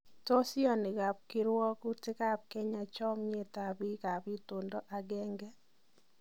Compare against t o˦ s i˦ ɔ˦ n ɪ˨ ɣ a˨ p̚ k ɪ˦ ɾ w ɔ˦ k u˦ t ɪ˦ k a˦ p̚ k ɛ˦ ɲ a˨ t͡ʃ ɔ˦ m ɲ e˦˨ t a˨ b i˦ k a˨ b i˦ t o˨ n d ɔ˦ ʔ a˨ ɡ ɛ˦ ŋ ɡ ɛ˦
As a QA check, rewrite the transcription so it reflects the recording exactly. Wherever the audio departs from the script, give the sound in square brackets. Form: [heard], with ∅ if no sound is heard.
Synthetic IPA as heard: t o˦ s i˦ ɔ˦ n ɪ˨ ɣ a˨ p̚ k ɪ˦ ɾ w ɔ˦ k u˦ t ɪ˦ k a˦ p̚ k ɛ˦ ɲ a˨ t͡ʃ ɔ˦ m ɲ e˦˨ t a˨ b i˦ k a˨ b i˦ t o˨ n d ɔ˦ ʔ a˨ ɡ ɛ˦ ŋ ɡ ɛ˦